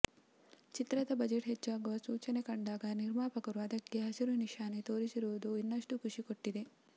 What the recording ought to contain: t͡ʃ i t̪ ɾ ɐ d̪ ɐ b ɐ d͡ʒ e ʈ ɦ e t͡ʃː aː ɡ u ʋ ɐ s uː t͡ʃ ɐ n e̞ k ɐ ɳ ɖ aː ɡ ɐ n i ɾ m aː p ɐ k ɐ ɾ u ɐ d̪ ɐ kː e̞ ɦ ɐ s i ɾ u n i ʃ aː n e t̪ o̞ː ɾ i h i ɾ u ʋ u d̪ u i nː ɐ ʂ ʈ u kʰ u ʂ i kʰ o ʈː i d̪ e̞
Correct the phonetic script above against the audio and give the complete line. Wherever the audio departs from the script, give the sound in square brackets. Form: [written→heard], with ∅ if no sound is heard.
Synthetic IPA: t͡ʃ i t̪ ɾ ɐ d̪ ɐ b ɐ d͡ʒ e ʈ ɦ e t͡ʃː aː ɡ u ʋ ɐ s uː t͡ʃ ɐ n e̞ k ɐ ɳ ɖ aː ɡ ɐ n i ɾ m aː p ɐ k ɐ ɾ u ɐ d̪ ɐ kː e̞ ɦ ɐ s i ɾ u n i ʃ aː n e t̪ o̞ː ɾ i [h→s] i ɾ u ʋ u d̪ u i nː ɐ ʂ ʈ u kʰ u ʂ i [kʰ→k] o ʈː i d̪ e̞

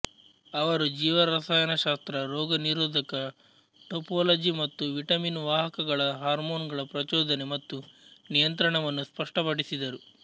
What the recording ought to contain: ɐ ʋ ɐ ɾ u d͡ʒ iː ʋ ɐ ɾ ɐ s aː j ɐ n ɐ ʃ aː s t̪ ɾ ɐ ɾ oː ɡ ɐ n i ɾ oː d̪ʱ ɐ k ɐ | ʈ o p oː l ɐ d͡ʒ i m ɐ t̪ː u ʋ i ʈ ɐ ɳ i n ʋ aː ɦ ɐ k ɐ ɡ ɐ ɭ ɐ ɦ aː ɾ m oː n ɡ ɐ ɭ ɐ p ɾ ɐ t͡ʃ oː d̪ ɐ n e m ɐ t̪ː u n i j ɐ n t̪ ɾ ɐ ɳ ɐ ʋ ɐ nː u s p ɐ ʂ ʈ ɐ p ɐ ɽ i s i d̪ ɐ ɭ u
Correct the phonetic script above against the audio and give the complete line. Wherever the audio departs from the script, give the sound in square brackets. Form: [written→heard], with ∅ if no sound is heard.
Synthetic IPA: ɐ ʋ ɐ ɾ u d͡ʒ iː ʋ ɐ ɾ ɐ s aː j ɐ n ɐ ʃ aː s t̪ ɾ ɐ ɾ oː ɡ ɐ n i ɾ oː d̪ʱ ɐ k ɐ | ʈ o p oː l ɐ d͡ʒ i m ɐ t̪ː u ʋ i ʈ ɐ [ɳ→m] i n ʋ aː ɦ ɐ k ɐ ɡ ɐ ɭ ɐ ɦ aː ɾ m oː n ɡ ɐ ɭ ɐ p ɾ ɐ t͡ʃ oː d̪ ɐ n e m ɐ t̪ː u n i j ɐ n t̪ ɾ ɐ ɳ ɐ ʋ ɐ nː u s p ɐ ʂ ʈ ɐ p ɐ ɽ i s i d̪ ɐ [ɭ→ɾ] u

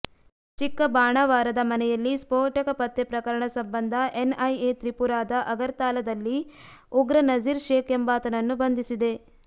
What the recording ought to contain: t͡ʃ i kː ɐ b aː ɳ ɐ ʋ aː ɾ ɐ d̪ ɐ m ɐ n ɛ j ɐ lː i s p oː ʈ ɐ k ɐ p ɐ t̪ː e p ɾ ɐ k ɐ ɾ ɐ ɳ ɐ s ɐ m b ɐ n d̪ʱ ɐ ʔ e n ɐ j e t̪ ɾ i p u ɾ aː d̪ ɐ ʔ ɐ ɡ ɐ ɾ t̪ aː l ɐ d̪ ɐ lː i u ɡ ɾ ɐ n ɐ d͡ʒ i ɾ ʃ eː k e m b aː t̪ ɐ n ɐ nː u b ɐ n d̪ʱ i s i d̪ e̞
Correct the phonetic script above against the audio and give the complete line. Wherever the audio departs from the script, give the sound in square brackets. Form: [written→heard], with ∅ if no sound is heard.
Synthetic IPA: t͡ʃ i kː ɐ b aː ɳ ɐ ʋ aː ɾ ɐ d̪ ɐ m ɐ n ɛ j ɐ lː i s p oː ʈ ɐ k ɐ p ɐ t̪ː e p ɾ ɐ k ɐ ɾ ɐ ɳ ɐ s ɐ m b ɐ n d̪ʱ ɐ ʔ e n ɐ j e t̪ ɾ i p u ɾ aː d̪ ɐ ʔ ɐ ɡ ɐ ɾ t̪ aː l ɐ d̪ ɐ lː i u ɡ ɾ ɐ n ɐ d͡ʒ i ɾ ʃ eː k e m b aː t̪ ɐ n ɐ nː u b ɐ n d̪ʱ i s i d̪ e̞

